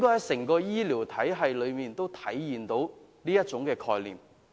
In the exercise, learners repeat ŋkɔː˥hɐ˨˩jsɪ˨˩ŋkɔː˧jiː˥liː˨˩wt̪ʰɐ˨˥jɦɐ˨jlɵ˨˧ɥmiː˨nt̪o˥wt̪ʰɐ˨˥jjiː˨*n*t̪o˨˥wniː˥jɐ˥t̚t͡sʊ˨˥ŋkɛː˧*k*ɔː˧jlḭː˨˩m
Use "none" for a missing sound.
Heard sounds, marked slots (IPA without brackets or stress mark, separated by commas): n, kʰ